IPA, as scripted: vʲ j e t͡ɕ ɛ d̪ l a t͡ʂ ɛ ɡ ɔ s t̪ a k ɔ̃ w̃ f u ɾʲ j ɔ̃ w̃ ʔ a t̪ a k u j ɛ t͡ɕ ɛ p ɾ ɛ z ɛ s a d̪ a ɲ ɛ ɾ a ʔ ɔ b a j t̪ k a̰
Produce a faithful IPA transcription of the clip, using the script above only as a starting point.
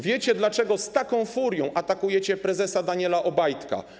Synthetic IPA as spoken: vʲ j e t͡ɕ ɛ d̪ l a t͡ʂ ɛ ɡ ɔ s t̪ a k ɔ̃ w̃ f u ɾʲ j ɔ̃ w̃ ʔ a t̪ a k u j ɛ t͡ɕ ɛ p ɾ ɛ z ɛ s a d̪ a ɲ ɛ l a ʔ ɔ b a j t̪ k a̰